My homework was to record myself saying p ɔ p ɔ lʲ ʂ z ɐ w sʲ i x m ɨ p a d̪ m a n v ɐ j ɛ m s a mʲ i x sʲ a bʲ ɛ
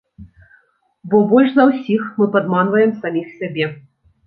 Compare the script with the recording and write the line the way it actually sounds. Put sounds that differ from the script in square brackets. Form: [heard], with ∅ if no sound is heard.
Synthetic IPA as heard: [b] ɔ [b] ɔ lʲ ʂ z ɐ w sʲ i x m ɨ p a d̪ m a n v ɐ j ɛ m s a mʲ i x sʲ a bʲ ɛ